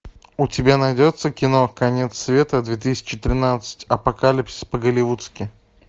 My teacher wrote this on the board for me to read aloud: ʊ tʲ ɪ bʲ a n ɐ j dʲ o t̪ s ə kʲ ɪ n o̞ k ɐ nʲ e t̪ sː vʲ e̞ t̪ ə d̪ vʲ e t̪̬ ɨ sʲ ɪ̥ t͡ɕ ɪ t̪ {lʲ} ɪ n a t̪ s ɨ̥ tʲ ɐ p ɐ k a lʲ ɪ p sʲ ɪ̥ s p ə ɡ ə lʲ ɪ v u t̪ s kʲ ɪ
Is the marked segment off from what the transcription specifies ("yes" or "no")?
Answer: yes